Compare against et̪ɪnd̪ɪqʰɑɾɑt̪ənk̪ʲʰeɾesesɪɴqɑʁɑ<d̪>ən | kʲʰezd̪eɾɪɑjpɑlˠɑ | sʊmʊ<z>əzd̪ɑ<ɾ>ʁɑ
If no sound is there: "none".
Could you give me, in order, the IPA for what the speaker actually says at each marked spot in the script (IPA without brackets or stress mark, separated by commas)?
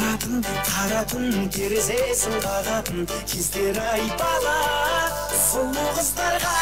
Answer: t̪, ʁ, ɾ